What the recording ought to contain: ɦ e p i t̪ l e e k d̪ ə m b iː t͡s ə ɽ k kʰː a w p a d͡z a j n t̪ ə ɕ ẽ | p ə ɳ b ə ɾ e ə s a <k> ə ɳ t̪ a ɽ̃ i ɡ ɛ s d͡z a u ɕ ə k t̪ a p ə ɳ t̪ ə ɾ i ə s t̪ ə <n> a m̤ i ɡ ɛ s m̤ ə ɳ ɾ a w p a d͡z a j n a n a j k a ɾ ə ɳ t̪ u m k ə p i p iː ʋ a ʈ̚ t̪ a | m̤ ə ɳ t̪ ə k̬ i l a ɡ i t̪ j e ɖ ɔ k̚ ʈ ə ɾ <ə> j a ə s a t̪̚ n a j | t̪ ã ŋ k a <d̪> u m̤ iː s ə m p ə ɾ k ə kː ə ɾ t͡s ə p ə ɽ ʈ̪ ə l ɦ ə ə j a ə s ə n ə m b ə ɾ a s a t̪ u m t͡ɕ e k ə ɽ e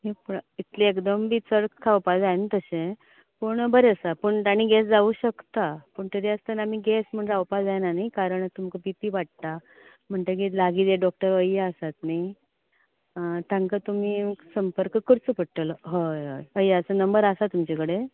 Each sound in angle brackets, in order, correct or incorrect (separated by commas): incorrect, correct, correct, incorrect